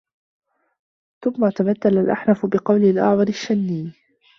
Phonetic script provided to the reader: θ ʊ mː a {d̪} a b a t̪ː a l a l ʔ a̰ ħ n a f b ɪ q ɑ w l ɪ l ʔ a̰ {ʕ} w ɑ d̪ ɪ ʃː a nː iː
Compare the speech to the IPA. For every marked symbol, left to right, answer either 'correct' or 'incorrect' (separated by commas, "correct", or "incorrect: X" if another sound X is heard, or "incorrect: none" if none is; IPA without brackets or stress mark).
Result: incorrect: t̪, correct